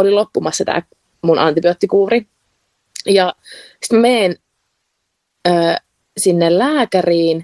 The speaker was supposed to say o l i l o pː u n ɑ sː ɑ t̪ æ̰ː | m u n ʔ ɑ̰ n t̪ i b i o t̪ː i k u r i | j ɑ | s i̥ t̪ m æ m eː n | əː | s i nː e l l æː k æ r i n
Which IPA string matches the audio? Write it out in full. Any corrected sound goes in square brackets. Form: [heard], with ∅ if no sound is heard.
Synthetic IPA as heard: o l i l o pː u [m] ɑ sː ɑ t̪ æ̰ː | m u n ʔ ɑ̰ n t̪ i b i o t̪ː i k [uː] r i | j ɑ | s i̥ t̪ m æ m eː n | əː | s i nː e l l æː k æ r [iː] n